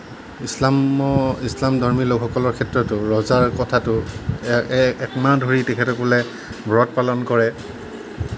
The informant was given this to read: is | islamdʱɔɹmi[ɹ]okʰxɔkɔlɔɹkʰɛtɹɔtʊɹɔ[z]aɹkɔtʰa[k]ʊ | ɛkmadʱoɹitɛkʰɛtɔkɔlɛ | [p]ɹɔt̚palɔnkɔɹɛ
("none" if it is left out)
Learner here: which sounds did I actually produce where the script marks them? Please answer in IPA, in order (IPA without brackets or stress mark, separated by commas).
l, z, t, b